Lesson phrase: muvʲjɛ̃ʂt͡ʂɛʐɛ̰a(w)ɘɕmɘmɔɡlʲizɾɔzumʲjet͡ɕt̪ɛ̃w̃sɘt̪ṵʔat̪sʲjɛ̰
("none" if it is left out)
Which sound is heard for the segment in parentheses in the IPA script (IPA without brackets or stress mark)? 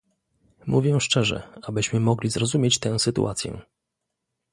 b